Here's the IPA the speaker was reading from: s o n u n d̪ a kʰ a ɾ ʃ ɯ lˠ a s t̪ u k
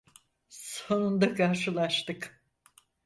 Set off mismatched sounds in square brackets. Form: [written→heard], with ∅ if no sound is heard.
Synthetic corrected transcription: s o n u n d̪ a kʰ a ɾ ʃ ɯ lˠ a [s→ʃ] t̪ [u→ɯ] k